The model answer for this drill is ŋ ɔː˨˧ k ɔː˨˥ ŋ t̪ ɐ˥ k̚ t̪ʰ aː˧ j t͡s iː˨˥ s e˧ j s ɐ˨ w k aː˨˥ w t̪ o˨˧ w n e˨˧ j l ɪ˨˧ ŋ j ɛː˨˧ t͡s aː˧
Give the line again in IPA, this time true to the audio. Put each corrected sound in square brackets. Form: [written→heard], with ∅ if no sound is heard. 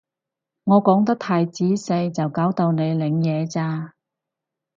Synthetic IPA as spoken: ŋ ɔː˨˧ k ɔː˨˥ ŋ t̪ ɐ˥ k̚ t̪ʰ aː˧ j t͡s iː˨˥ s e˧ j [s→t͡s] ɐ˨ w k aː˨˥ w t̪ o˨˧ w n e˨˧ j l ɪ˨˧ ŋ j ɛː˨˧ t͡s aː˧